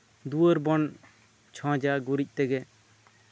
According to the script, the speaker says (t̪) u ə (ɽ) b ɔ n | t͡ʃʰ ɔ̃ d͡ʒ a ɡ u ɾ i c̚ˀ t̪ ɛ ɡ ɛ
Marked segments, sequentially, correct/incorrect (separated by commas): incorrect, incorrect